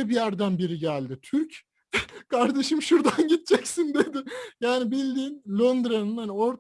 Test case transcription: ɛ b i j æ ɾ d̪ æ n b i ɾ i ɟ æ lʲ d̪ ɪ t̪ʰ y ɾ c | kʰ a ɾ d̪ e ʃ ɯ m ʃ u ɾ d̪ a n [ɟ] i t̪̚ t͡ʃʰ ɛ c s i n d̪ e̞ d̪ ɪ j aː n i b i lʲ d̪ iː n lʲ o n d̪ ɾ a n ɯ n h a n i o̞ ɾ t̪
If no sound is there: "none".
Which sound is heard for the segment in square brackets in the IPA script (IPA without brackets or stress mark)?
ɟ